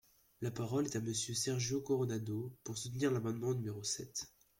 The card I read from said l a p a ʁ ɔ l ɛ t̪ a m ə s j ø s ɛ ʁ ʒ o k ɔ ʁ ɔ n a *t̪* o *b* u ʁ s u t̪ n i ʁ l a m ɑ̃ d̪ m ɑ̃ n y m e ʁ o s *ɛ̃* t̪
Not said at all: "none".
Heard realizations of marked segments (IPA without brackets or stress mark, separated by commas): d̪, p, ɛ